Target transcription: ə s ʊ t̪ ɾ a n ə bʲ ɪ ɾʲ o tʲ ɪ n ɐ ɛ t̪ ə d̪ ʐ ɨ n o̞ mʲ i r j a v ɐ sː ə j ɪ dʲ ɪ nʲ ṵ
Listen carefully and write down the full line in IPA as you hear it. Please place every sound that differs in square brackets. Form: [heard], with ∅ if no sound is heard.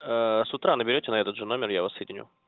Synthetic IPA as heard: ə s ʊ t̪ ɾ a n ə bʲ ɪ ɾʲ o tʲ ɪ n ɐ ɛ t̪ ə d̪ ʐ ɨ n o̞ mʲ [ɪ] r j a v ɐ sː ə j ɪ dʲ ɪ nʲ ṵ